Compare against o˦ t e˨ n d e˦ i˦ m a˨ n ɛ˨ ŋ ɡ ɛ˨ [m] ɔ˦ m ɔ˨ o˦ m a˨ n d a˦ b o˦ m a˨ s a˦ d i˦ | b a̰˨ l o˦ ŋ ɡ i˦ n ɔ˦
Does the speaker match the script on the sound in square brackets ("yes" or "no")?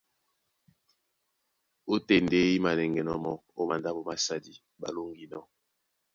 no